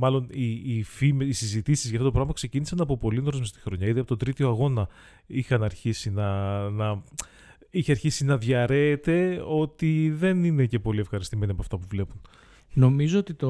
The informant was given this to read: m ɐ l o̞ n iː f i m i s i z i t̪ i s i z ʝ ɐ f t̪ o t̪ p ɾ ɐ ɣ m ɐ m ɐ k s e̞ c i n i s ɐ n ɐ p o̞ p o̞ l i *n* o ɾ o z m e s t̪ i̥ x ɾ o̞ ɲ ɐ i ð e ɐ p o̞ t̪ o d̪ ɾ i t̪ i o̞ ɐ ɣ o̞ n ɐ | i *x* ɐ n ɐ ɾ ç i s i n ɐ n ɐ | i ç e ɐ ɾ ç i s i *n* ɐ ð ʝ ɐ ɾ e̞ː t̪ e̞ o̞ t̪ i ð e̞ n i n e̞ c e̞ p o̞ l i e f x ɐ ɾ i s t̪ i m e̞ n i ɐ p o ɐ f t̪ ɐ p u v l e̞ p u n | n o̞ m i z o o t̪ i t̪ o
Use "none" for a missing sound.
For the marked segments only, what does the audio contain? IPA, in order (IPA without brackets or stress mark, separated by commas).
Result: n, x, n